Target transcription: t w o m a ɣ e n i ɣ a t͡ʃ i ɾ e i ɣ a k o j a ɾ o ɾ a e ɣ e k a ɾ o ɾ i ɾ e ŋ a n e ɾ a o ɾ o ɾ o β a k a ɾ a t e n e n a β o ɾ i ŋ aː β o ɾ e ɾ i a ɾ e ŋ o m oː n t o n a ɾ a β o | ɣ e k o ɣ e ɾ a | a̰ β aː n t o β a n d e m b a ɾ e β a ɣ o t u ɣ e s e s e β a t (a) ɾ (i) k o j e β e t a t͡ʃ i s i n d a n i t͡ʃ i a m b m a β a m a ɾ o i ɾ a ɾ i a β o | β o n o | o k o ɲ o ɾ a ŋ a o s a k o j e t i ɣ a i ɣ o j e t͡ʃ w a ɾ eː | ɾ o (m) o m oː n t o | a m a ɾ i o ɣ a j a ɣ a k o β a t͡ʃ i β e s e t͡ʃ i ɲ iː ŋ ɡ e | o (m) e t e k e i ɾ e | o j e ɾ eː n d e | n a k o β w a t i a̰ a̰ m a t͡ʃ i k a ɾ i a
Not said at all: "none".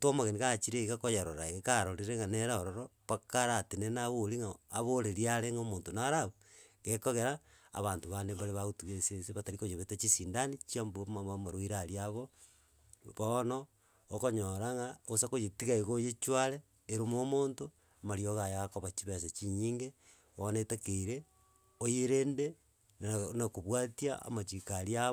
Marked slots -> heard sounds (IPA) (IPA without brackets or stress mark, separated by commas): a, i, m, n